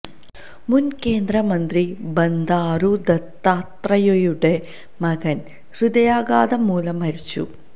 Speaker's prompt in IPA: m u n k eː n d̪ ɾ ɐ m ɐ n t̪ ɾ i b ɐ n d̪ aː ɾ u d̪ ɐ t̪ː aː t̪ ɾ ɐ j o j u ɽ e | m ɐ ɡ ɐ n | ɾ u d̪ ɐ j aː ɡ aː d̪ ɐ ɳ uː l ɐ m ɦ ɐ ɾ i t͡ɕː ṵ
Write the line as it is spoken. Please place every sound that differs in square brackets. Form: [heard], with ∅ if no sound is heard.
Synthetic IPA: m u n k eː n d̪ ɾ ɐ m ɐ n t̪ ɾ i b ɐ n d̪ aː ɾ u d̪ ɐ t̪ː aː t̪ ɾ ɐ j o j u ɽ e | m ɐ ɡ ɐ n | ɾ u d̪ ɐ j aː ɡ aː d̪ ɐ [m] uː l ɐ m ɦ ɐ ɾ i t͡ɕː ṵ